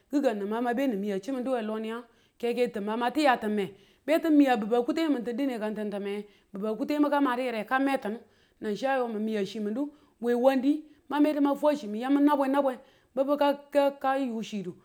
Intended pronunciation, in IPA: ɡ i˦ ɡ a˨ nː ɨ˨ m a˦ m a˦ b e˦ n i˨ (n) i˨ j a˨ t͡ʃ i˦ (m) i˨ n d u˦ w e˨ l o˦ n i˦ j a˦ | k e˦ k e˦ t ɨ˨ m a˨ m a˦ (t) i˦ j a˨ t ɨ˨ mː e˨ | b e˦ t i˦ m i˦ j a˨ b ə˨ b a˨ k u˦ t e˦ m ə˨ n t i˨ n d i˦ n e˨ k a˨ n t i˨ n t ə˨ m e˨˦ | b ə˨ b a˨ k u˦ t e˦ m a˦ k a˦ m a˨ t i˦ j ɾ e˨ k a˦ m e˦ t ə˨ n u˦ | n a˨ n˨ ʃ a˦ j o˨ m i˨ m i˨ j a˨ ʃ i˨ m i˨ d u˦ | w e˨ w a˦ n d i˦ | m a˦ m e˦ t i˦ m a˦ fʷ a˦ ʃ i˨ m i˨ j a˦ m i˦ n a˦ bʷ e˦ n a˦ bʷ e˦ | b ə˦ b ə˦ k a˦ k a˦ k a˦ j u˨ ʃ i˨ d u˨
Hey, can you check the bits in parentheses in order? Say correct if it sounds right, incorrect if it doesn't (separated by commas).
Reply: incorrect, correct, correct